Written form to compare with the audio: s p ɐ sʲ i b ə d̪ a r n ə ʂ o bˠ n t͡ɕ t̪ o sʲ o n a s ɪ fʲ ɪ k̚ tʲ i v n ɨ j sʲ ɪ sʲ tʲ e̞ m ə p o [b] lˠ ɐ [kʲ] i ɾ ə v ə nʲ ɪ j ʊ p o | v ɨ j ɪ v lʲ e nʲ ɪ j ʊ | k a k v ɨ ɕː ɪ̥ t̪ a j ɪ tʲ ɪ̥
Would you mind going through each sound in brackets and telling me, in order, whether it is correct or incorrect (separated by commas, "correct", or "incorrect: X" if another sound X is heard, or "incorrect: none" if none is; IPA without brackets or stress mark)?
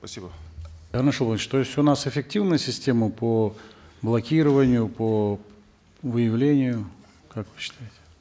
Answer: correct, correct